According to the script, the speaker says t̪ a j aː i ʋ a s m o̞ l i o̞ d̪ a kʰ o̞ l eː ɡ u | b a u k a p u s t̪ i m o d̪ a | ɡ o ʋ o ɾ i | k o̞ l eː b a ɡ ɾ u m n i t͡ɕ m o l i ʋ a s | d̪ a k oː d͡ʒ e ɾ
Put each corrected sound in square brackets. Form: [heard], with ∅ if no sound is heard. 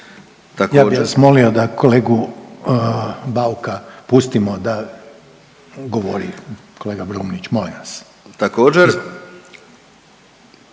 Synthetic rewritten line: t̪ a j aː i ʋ a s m o̞ l i o̞ d̪ a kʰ o̞ l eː ɡ u | b a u k a p u s t̪ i m o d̪ a | ɡ o ʋ o ɾ i | k o̞ l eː [ɡ] a [b] ɾ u m n i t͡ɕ m o l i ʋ a s | [t̪] a k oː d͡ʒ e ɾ